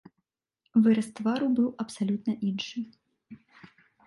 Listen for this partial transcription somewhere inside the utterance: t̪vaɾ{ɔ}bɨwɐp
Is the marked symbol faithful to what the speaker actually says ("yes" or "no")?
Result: no